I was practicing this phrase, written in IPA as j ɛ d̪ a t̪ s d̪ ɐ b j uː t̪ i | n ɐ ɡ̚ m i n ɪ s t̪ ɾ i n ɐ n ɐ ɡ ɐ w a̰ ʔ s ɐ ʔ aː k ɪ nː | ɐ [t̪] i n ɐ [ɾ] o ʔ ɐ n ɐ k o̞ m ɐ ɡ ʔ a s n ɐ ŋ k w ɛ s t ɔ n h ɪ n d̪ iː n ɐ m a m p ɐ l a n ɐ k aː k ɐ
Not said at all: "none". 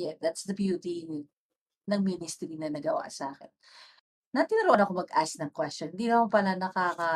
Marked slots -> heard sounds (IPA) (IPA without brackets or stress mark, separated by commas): t̪, ɾ